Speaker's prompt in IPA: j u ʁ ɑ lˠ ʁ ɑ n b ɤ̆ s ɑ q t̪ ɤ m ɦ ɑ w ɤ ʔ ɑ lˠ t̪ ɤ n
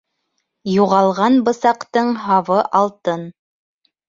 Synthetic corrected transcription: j u ʁ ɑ lˠ ʁ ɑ n b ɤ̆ s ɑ q t̪ ɤ ɴ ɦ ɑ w ɤ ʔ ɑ lˠ t̪ ɤ n